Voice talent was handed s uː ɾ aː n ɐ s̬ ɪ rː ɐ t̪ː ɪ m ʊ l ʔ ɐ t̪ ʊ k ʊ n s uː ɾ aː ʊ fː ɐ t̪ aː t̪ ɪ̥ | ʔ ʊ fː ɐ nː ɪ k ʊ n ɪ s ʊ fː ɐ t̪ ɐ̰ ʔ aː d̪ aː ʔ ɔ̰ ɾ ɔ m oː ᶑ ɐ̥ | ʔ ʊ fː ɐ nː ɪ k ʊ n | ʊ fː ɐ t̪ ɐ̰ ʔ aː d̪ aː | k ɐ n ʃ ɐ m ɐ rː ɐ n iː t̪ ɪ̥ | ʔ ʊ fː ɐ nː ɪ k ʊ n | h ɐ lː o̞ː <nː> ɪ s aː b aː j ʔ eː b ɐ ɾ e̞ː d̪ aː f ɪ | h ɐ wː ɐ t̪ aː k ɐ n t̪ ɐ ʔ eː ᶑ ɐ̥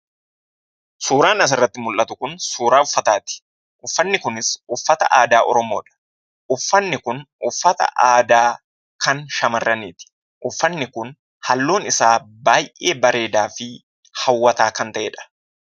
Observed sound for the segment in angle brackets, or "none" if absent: n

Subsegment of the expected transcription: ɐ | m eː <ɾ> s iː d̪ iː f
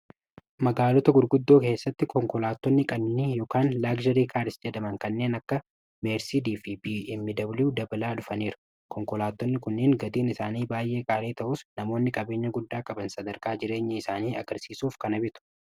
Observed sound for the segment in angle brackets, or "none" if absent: ɾ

